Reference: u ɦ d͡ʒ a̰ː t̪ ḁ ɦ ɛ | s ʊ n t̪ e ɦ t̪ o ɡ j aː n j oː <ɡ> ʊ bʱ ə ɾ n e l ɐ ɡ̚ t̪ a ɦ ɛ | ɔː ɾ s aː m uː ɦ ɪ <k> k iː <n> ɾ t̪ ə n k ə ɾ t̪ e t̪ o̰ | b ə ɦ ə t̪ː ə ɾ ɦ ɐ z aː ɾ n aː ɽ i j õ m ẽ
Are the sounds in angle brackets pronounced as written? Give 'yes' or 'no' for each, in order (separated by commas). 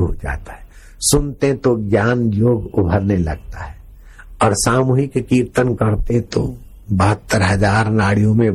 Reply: yes, yes, no